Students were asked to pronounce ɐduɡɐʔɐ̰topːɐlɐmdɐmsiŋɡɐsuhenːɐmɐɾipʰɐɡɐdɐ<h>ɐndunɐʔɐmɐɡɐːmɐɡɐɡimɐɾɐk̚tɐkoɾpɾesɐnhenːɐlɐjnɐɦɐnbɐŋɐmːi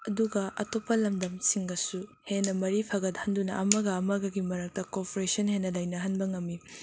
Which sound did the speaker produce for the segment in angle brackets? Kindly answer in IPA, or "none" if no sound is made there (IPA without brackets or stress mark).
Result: h